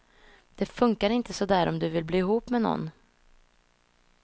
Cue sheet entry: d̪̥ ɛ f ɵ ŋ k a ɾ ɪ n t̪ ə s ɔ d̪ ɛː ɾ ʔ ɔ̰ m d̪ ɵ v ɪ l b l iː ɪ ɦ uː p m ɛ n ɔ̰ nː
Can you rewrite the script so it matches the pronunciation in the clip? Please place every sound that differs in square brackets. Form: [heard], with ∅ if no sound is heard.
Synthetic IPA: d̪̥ ɛ f ɵ ŋ k a ɾ ɪ n t̪ ə s ɔ d̪ [æː] ɾ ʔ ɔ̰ m d̪ ɵ v ɪ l b l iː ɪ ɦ uː p m ɛ n ɔ̰ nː